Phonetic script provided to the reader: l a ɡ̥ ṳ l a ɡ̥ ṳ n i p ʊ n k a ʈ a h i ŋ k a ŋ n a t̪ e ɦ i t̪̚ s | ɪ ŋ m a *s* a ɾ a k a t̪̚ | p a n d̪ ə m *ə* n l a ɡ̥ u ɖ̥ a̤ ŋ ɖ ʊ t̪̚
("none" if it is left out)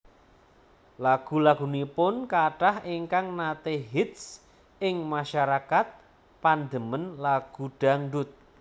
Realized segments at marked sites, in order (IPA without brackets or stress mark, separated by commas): ʃ, ə